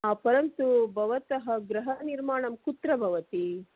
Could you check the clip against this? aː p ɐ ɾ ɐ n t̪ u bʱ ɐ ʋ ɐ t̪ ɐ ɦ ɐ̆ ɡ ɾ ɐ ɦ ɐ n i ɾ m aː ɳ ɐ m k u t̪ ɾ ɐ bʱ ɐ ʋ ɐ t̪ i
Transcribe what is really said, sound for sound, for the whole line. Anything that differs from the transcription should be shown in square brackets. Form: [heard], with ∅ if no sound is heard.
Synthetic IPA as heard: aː p ɐ ɾ ɐ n t̪ u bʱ ɐ ʋ ɐ t̪ ɐ ɦ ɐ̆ ɡ ɾ ɐ ɦ ɐ n i ɾ m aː ɳ ɐ m k u t̪ ɾ ɐ bʱ ɐ ʋ ɐ t̪ i